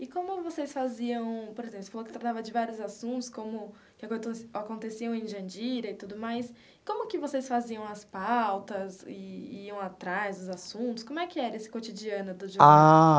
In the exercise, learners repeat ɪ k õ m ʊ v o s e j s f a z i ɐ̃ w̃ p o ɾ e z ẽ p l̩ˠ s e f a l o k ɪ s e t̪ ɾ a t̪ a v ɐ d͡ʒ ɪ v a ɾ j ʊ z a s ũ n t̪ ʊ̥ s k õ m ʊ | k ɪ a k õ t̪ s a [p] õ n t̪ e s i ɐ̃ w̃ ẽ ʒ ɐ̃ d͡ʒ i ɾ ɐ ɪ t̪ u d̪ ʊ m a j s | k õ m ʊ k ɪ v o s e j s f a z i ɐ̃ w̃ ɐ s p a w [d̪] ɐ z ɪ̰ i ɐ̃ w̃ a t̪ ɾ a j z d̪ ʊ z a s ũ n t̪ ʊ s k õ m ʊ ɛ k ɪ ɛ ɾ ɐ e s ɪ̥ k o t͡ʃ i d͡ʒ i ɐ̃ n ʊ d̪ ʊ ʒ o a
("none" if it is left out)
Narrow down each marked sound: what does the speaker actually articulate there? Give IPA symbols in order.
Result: k, t̪

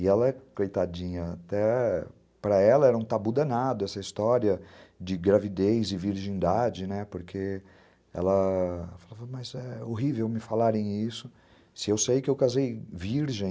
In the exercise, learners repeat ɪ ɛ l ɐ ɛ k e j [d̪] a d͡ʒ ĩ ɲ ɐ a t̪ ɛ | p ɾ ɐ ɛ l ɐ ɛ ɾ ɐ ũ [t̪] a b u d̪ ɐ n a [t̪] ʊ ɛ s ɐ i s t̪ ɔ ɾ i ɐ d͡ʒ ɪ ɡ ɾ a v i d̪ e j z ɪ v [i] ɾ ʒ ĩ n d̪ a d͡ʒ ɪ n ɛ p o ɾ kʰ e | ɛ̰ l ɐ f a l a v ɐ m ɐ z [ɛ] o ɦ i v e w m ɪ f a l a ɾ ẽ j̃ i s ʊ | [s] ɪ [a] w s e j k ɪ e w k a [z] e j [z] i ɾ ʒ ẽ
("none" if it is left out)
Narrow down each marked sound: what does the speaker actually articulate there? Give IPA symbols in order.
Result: t̪, t̪, d̪, i, ɛ, s, e, z, v

